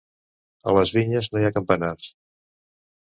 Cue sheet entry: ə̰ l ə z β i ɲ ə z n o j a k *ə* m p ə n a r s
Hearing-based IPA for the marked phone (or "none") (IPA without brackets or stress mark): ə